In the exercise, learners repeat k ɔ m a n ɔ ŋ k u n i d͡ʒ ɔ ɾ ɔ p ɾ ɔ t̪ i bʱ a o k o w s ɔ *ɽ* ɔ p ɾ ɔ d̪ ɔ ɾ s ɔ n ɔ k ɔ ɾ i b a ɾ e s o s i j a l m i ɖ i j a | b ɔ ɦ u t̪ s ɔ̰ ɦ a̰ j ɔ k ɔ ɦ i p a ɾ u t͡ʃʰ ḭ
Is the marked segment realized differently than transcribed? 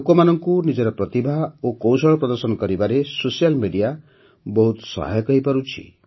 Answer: yes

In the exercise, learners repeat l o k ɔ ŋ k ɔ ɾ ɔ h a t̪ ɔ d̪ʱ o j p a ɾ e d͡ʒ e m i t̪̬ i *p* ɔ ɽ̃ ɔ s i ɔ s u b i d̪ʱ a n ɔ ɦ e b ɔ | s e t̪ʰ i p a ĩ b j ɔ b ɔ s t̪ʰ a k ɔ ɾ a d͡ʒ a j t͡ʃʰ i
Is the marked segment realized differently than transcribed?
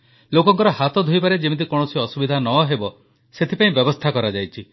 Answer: yes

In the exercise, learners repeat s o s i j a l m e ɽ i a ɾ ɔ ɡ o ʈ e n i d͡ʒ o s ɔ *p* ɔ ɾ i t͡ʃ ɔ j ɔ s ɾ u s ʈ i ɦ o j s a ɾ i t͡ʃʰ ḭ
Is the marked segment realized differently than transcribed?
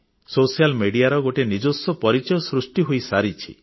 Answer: no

